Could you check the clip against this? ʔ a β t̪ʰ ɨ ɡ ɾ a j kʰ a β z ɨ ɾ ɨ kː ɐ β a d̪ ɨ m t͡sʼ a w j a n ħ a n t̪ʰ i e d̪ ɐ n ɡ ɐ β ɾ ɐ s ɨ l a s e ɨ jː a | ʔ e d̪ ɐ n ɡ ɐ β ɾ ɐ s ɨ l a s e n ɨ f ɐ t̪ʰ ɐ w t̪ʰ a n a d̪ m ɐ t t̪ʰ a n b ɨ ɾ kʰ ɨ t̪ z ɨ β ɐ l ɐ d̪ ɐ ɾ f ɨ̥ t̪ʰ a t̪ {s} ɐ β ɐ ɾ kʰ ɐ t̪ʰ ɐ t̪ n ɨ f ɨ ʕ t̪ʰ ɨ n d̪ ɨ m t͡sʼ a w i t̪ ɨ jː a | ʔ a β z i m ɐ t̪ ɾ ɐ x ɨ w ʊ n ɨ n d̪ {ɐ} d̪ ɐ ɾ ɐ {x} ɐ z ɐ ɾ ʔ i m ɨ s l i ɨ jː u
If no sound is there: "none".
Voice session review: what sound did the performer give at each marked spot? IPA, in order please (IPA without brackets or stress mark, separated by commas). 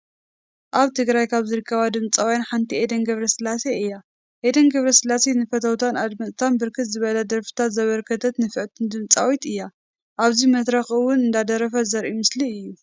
z, a, f